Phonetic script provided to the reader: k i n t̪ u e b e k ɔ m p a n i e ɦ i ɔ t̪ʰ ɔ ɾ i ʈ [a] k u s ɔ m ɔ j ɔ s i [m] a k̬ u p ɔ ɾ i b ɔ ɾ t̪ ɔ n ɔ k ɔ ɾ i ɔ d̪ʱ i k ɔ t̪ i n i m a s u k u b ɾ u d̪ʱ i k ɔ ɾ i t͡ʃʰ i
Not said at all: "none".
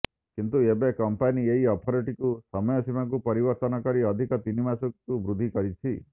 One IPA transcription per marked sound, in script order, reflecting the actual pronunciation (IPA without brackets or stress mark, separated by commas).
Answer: i, m